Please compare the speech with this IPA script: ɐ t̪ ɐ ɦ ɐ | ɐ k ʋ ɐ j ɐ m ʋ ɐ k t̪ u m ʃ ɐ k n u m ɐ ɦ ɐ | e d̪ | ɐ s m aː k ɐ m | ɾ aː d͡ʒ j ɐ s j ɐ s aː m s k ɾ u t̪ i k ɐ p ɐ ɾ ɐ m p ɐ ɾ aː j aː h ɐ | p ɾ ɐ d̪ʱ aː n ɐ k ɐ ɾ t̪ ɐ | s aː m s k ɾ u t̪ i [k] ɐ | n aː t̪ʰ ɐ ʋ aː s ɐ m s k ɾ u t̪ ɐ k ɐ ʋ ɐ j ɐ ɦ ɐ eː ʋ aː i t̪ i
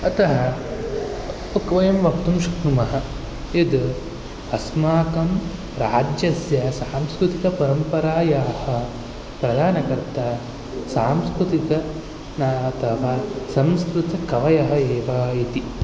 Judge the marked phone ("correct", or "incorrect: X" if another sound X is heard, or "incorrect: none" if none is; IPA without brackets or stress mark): correct